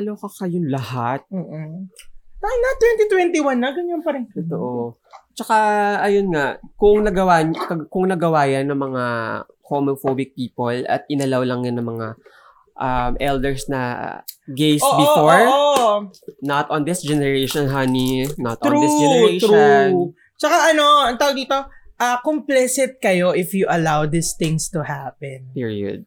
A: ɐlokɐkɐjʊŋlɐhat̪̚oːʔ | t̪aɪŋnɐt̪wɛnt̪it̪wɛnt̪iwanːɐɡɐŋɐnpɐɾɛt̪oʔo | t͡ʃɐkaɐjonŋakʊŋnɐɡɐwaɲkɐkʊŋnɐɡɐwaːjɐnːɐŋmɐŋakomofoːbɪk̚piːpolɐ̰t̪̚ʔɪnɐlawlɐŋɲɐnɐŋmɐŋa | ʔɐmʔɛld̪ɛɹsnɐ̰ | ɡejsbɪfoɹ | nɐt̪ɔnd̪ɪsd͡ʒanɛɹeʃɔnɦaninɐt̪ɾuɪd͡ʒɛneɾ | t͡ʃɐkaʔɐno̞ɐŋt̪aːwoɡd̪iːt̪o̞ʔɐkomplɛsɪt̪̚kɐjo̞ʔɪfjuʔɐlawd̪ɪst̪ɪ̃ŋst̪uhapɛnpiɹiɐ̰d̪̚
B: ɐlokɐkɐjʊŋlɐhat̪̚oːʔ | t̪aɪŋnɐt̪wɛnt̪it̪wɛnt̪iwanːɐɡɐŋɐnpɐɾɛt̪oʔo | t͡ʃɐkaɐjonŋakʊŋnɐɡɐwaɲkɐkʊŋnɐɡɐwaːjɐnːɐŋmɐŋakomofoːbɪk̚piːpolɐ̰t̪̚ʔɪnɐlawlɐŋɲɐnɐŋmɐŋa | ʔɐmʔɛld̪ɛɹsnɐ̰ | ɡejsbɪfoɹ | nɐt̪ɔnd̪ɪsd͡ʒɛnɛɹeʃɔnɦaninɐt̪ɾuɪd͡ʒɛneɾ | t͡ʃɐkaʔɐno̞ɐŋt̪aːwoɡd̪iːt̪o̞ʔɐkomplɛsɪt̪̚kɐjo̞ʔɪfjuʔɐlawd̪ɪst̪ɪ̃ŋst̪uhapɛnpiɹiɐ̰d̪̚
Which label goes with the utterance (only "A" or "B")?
B